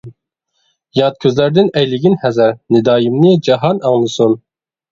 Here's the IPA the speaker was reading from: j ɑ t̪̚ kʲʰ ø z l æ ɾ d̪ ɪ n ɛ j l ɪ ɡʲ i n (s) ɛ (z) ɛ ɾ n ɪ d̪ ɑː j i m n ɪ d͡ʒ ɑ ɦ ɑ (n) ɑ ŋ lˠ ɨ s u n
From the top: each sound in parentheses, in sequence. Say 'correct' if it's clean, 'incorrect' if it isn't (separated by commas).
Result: incorrect, correct, correct